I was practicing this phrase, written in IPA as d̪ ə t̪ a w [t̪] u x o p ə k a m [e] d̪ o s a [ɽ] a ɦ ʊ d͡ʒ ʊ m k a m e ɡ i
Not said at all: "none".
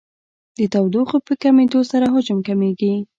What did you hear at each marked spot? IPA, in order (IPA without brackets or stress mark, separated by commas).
d̪, e, ɾ